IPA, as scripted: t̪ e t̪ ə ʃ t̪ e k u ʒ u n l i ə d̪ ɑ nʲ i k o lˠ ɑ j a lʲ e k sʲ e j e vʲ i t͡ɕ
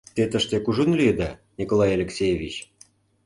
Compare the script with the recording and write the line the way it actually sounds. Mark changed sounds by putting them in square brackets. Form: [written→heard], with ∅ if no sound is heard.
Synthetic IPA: t̪ e t̪ ə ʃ t̪ e k u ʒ u n l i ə d̪ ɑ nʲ i k o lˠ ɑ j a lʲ e k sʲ e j e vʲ i t͡ɕ